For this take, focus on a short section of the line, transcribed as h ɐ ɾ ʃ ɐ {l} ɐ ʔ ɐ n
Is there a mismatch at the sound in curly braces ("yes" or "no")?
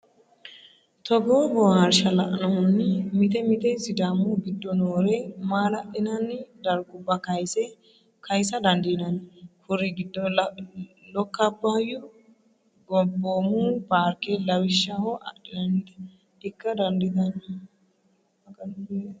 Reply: no